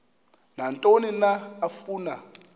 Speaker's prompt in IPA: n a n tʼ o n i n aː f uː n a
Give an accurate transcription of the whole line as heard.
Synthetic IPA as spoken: n a n tʼ o n i n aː f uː n a